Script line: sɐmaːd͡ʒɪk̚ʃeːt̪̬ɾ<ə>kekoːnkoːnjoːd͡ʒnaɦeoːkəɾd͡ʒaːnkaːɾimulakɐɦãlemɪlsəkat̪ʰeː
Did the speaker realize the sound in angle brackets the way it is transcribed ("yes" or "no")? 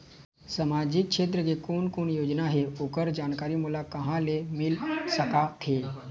yes